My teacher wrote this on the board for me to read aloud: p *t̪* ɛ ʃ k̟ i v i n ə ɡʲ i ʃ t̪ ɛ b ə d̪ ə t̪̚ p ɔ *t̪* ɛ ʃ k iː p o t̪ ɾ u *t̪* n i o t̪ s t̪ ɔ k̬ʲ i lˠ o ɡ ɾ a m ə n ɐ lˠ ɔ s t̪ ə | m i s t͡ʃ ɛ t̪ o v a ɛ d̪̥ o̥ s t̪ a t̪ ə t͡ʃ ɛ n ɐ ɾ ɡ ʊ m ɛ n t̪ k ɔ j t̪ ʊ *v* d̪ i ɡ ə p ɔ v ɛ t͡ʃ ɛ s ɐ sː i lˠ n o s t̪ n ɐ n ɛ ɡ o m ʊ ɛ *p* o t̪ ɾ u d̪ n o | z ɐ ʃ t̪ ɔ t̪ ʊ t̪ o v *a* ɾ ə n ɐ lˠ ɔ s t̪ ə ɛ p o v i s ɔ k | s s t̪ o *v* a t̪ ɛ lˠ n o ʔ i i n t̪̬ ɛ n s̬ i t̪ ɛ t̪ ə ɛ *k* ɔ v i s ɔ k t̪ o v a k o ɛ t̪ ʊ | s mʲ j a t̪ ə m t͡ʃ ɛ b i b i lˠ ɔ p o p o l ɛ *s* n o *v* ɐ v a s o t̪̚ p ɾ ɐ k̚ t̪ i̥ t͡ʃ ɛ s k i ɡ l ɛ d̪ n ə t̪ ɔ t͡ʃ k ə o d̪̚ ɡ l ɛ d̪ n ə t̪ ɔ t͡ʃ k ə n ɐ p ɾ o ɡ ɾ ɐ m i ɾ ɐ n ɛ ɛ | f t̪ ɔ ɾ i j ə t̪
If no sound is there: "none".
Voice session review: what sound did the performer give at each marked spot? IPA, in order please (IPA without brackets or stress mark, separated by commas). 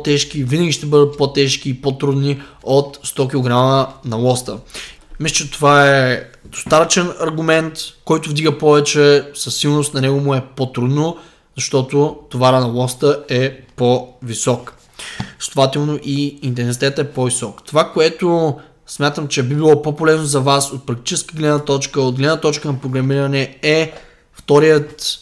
t̪, t̪, d̪, v, p, a, v, p, z, z